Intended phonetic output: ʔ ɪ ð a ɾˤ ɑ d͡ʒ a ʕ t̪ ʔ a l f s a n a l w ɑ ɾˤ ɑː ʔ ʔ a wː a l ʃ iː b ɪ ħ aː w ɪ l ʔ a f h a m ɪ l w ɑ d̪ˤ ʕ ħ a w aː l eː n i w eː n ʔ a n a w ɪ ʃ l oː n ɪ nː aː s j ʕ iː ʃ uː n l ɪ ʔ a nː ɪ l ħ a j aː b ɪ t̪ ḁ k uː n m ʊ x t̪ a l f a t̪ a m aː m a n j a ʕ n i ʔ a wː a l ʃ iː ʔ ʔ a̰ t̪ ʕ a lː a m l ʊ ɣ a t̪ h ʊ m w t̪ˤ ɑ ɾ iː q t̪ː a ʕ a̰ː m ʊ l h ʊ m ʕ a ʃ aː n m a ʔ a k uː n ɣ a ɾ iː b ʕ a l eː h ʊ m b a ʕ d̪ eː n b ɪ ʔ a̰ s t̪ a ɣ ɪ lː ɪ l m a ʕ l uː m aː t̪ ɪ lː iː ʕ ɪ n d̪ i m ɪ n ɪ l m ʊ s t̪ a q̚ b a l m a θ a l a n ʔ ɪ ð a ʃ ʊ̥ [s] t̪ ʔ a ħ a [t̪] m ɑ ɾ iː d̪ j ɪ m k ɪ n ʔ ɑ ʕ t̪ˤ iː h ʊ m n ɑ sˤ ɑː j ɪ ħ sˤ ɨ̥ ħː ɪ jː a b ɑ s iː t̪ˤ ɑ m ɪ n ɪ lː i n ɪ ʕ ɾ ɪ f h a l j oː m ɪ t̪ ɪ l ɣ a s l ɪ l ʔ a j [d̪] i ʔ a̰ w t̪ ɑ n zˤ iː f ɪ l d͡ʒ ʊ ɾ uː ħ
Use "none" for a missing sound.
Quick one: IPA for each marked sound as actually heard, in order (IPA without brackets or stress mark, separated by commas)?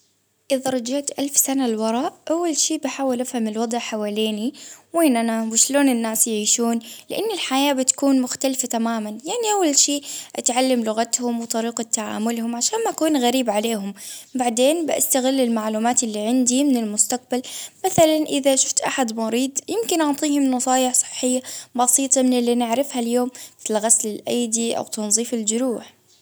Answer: f, d̪, d̪